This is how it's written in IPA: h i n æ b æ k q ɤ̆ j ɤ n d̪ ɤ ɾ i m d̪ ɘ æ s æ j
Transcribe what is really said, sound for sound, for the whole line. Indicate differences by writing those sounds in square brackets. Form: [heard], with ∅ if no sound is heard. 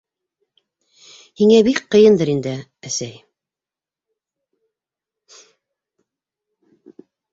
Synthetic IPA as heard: h i [ŋ] æ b [i] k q ɤ̆ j ɤ n d̪ ɤ ɾ i [n] d̪ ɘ æ s æ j

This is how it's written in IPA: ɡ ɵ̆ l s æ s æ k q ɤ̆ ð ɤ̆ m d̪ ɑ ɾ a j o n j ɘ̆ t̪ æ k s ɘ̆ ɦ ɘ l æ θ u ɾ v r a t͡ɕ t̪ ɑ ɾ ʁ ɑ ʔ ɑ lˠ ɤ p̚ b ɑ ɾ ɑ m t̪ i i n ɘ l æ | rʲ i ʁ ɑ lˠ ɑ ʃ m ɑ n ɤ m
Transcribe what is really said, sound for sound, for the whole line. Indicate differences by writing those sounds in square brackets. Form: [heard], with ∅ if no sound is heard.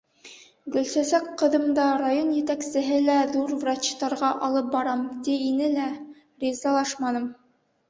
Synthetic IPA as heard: ɡ ɵ̆ l s æ s æ k q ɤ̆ ð ɤ̆ m d̪ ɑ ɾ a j o n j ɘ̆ t̪ æ k s ɘ̆ ɦ ɘ l æ [ð] u ɾ v r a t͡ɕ t̪ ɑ ɾ ʁ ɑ ʔ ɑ lˠ ɤ p̚ b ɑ ɾ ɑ m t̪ i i n ɘ l æ | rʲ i [z] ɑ lˠ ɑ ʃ m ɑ n ɤ m

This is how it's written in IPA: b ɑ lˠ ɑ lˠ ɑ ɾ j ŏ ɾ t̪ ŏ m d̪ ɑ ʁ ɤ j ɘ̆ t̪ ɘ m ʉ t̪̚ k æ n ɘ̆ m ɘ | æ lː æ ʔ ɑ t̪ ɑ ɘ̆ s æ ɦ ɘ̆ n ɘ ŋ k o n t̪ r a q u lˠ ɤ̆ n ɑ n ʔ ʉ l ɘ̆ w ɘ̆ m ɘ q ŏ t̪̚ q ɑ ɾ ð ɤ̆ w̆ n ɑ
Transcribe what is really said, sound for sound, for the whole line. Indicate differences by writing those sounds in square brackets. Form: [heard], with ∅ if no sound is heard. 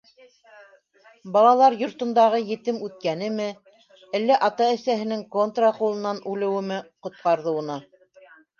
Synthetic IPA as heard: b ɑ lˠ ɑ lˠ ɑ ɾ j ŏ ɾ t̪ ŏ [n] d̪ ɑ ʁ ɤ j ɘ̆ t̪ ɘ m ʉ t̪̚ k æ n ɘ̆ m ɘ | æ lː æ ʔ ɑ t̪ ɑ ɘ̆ s æ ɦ ɘ̆ n ɘ ŋ k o n t̪ r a q u lˠ ɤ̆ n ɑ n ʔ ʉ l ɘ̆ w ɘ̆ m ɘ q ŏ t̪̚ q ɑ ɾ ð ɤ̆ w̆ n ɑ

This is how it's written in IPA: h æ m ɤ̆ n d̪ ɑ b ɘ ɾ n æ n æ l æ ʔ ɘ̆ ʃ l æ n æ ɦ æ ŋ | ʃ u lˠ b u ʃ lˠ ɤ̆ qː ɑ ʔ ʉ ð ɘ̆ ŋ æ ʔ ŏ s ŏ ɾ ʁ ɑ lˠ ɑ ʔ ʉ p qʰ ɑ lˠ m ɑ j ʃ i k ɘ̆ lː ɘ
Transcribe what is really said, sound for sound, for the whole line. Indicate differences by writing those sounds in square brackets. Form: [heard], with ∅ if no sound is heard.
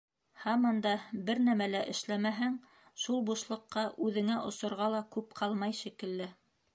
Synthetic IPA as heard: h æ m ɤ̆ n d̪ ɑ b ɘ ɾ n æ [m] æ l æ ʔ ɘ̆ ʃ l æ [m] æ ɦ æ ŋ | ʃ u lˠ b u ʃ lˠ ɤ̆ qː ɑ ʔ ʉ ð ɘ̆ ŋ æ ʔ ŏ s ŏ ɾ ʁ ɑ lˠ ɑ [k] ʉ p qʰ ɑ lˠ m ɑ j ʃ i k ɘ̆ lː ɘ

